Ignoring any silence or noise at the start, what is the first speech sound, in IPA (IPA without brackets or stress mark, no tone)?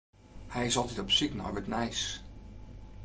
h